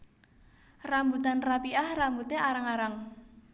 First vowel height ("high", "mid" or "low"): low